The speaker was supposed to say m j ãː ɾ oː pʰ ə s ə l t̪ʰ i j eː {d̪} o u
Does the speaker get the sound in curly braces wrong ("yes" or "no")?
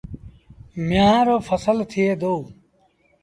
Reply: no